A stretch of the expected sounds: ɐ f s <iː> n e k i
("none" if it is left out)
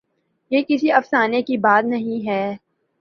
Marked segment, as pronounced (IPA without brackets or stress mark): aː